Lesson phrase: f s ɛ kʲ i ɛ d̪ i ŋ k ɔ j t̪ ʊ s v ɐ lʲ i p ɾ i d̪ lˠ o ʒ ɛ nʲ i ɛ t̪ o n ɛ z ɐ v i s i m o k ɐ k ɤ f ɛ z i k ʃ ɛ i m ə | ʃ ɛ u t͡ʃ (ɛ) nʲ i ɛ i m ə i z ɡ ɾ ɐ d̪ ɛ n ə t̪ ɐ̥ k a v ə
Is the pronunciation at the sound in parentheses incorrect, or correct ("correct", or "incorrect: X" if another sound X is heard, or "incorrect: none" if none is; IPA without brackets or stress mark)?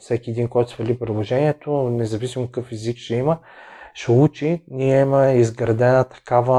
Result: incorrect: i